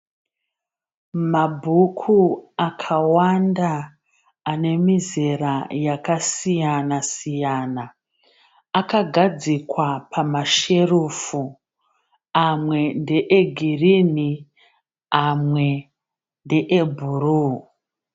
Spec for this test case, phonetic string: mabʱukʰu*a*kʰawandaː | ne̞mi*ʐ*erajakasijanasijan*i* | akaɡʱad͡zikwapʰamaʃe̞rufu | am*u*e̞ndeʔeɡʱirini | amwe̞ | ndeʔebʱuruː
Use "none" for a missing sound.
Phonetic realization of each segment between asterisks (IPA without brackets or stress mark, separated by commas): a, z, a, w